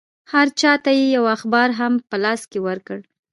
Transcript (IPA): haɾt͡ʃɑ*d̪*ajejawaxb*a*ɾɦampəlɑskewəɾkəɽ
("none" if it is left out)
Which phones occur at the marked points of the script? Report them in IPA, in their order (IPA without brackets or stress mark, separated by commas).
t̪, ɑ